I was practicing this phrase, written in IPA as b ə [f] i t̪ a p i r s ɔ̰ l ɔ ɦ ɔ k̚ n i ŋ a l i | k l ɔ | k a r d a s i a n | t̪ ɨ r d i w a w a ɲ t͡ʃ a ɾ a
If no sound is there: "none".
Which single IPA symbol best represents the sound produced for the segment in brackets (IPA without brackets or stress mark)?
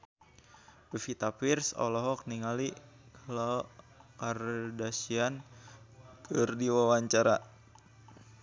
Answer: f